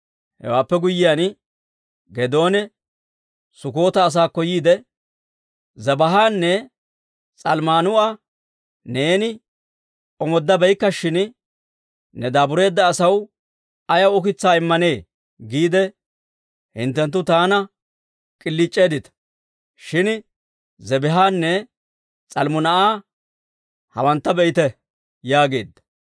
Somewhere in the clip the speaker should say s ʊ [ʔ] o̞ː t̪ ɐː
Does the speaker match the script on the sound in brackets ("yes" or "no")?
no